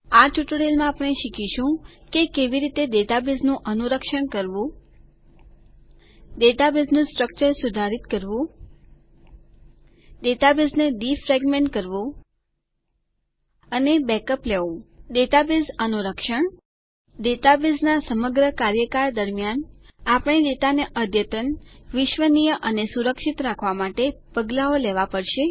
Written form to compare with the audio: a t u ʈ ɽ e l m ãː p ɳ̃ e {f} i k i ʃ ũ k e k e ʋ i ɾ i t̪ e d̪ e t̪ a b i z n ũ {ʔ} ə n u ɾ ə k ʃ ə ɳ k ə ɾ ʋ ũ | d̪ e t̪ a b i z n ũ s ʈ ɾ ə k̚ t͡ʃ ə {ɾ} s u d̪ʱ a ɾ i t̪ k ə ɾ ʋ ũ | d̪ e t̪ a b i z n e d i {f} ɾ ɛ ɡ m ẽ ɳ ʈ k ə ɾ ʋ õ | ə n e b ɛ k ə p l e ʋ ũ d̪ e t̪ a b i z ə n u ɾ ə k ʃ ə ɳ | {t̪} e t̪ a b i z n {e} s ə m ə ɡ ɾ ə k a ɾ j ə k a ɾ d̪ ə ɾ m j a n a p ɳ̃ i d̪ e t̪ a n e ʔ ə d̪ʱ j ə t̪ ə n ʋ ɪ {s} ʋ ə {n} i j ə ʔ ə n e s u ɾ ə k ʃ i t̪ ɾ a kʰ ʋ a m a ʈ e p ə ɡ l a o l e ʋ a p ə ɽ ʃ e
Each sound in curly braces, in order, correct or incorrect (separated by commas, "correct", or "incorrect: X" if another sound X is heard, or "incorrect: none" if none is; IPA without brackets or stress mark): incorrect: ʃ, correct, correct, correct, incorrect: d̪, incorrect: a, incorrect: ʃ, correct